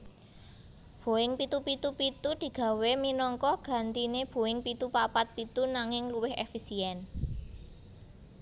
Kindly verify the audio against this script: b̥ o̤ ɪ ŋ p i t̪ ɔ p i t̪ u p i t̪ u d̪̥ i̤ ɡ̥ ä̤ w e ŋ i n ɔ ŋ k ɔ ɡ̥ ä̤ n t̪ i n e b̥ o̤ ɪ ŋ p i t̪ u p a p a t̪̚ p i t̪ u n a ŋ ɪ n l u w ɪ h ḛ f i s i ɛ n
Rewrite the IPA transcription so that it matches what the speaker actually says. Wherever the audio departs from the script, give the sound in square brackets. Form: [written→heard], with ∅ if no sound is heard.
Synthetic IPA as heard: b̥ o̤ ɪ ŋ p i t̪ [ɔ→u] p i t̪ u p i t̪ u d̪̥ i̤ ɡ̥ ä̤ w e [ŋ→m] i n ɔ ŋ k ɔ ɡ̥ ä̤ n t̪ i n e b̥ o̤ ɪ ŋ p i t̪ u p a p a t̪̚ p i t̪ u n a ŋ ɪ [n→ŋ] l u w ɪ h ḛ f i s i ɛ n